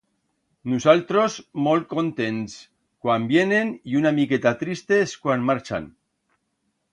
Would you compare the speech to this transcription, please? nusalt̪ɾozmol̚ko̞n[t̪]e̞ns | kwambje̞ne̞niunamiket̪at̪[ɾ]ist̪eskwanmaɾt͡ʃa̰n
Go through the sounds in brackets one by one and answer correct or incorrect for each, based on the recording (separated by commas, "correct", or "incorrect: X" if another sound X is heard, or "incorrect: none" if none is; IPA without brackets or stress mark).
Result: correct, correct